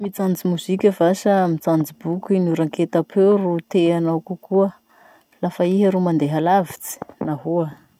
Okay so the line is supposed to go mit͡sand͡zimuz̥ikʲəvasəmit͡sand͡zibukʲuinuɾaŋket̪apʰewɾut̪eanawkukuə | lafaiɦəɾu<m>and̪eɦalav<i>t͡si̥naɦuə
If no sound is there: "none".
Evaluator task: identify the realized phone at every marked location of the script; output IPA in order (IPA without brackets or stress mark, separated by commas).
m, i